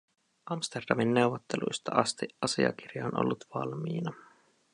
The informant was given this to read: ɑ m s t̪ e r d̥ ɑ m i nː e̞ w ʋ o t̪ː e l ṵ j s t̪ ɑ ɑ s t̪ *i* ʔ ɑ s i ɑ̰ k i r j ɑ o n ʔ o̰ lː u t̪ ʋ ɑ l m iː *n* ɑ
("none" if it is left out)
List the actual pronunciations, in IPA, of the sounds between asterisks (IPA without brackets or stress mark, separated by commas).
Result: i, n